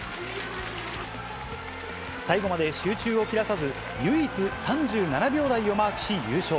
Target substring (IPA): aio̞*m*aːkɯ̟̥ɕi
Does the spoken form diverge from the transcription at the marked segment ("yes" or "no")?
no